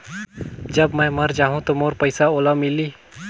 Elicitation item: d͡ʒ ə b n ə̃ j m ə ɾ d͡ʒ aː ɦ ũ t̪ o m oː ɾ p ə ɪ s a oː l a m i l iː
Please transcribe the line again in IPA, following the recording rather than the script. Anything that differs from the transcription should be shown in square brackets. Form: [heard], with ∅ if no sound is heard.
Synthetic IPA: d͡ʒ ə b [m] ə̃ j m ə ɾ d͡ʒ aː ɦ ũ t̪ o m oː ɾ p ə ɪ s a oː l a m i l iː